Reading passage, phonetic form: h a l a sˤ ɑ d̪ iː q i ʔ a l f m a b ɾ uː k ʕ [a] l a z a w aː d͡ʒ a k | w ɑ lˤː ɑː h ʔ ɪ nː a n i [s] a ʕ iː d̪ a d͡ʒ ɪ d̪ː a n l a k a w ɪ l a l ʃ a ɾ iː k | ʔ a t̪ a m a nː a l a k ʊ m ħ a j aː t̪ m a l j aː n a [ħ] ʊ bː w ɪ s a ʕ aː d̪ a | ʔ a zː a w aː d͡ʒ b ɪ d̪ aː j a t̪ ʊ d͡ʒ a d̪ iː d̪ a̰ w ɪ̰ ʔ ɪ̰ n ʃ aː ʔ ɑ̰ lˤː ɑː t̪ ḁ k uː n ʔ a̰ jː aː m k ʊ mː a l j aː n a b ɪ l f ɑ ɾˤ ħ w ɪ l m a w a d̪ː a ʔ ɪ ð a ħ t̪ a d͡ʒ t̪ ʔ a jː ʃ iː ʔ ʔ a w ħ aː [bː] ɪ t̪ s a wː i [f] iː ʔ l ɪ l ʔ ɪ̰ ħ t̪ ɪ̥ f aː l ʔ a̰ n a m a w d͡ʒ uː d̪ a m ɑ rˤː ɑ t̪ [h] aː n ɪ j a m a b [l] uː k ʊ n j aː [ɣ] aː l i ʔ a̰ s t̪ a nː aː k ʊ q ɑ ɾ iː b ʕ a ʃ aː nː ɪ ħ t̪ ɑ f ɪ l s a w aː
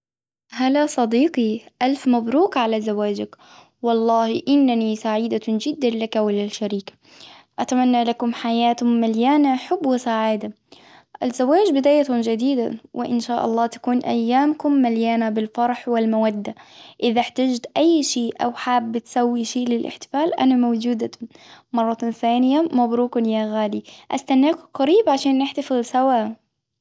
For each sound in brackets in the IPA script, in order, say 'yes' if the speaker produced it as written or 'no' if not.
yes, yes, yes, yes, no, no, no, yes

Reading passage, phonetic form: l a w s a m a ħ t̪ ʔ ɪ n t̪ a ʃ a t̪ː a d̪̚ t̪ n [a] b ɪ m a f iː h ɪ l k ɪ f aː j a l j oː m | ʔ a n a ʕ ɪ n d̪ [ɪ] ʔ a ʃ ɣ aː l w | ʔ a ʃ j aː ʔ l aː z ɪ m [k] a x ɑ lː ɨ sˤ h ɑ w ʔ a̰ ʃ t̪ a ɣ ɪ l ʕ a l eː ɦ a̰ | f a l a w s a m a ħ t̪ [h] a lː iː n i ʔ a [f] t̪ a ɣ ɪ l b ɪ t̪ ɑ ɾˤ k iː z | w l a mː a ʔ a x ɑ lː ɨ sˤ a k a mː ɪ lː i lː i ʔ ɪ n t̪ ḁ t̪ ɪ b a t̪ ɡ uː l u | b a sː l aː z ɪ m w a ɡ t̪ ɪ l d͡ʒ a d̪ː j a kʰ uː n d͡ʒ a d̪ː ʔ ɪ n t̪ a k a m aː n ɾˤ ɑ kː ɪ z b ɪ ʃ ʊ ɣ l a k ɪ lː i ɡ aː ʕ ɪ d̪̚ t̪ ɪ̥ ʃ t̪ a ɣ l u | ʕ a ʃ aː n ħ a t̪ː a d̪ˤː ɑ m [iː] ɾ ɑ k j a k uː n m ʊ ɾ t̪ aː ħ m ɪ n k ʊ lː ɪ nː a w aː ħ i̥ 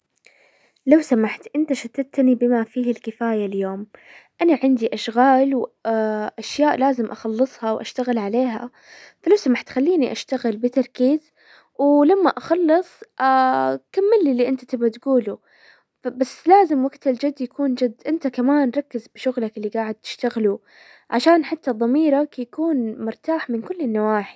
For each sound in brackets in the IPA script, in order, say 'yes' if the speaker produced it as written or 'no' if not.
no, no, no, no, no, yes

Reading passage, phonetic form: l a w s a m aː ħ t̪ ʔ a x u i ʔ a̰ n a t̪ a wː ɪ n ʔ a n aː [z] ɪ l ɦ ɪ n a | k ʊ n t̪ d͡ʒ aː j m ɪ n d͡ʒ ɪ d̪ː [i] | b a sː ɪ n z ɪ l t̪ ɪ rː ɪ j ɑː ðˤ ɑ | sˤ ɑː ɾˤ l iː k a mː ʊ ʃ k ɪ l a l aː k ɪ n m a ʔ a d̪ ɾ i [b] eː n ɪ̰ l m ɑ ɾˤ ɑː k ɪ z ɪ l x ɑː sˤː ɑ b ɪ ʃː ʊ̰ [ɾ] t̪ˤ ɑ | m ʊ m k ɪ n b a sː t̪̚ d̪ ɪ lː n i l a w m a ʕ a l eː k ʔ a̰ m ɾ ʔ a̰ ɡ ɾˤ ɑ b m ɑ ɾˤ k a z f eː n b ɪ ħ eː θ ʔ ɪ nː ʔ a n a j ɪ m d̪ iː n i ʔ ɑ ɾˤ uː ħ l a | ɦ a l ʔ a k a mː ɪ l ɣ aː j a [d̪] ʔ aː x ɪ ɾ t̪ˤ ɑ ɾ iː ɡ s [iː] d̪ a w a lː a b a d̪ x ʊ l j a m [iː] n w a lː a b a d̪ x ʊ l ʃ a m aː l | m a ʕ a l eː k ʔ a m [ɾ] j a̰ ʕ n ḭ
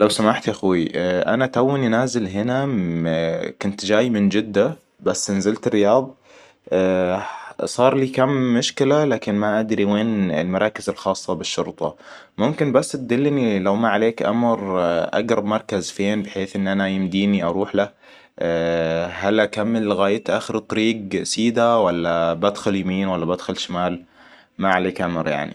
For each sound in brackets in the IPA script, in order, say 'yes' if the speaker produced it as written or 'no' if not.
yes, no, no, yes, no, yes, yes, yes

